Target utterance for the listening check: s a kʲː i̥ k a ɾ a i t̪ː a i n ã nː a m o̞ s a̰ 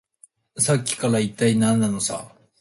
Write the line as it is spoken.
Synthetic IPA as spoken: s a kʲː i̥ k a ɾ a i t̪ː a i n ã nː a n o̞ s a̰